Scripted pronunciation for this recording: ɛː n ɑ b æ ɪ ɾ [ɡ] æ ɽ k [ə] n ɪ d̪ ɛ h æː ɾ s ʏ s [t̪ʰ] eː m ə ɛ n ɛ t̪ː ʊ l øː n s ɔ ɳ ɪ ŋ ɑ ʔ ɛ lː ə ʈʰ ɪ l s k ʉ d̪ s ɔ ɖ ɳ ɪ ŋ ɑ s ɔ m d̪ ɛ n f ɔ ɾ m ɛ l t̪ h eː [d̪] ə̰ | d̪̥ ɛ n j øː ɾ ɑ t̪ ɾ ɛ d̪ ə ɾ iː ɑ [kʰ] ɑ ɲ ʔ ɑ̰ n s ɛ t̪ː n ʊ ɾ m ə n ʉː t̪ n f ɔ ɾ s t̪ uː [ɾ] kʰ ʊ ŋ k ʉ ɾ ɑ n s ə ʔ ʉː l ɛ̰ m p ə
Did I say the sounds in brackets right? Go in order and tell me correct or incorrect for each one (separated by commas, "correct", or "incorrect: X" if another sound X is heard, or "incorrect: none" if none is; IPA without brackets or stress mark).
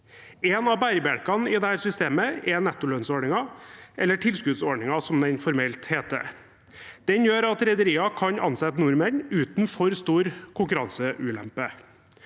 incorrect: b, incorrect: ɑ, incorrect: t̪, incorrect: t̪, correct, correct